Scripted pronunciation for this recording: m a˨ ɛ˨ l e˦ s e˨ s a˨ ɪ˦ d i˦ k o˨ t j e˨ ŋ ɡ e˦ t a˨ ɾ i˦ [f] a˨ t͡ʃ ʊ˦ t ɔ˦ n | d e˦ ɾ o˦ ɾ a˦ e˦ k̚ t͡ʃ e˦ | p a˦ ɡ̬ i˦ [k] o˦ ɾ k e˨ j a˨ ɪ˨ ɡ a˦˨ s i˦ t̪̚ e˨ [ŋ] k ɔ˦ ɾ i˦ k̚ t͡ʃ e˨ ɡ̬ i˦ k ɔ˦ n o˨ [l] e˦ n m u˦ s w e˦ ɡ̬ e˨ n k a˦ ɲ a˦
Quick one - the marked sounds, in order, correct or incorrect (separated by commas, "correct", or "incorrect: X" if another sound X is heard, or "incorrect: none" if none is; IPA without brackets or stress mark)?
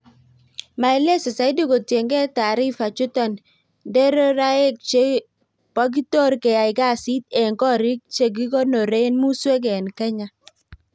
correct, incorrect: t, correct, incorrect: ɾ